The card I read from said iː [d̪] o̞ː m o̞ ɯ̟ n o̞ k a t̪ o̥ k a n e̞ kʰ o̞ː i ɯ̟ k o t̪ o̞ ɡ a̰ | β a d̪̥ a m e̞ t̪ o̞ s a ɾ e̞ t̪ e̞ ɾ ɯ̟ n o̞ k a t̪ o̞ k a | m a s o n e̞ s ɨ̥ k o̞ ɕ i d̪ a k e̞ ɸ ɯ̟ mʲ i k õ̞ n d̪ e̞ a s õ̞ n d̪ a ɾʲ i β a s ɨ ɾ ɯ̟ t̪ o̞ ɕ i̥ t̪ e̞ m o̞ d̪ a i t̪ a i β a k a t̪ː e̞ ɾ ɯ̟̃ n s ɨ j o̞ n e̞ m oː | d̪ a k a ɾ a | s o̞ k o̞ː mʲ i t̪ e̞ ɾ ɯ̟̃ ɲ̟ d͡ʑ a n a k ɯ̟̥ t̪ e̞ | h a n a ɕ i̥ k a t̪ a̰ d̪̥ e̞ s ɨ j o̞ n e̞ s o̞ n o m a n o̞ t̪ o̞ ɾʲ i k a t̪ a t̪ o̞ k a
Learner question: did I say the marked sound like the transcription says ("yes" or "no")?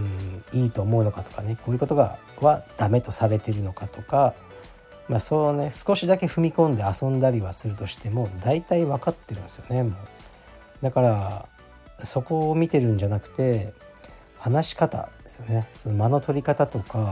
no